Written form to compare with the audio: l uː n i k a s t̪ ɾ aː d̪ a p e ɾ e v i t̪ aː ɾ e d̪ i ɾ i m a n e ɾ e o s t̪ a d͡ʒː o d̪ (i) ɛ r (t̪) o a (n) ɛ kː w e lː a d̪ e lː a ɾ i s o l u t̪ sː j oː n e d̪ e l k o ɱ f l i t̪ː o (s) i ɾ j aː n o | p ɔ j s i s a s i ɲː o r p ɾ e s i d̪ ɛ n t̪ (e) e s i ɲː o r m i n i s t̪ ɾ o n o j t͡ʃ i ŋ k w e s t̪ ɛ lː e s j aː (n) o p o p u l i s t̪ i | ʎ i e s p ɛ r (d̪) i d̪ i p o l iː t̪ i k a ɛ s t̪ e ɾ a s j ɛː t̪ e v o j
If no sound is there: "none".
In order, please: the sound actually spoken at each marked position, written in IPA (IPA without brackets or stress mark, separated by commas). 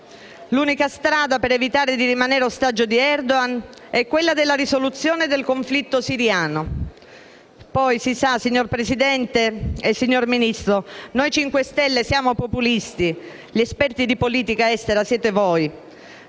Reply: i, d̪, n, s, e, m, t̪